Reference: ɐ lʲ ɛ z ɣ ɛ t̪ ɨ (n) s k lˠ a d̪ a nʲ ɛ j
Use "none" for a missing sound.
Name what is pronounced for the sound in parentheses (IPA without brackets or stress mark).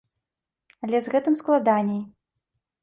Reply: m